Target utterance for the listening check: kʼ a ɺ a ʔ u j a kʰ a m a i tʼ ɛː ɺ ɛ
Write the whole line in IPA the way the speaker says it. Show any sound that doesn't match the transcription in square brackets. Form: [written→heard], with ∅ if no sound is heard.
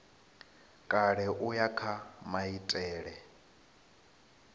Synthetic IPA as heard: kʼ a ɺ [a→ɛ] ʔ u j a kʰ a m a i tʼ ɛː ɺ ɛ